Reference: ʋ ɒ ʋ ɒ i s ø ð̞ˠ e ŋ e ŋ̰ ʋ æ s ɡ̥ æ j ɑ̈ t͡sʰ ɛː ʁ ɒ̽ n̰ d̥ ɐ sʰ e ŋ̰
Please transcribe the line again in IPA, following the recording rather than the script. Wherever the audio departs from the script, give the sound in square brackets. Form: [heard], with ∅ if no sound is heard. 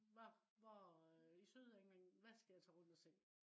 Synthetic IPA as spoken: ʋ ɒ ʋ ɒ i s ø ð̞ˠ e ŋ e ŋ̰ ʋ æ s ɡ̥ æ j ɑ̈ t͡sʰ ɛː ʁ [ɔ̽] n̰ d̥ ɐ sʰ e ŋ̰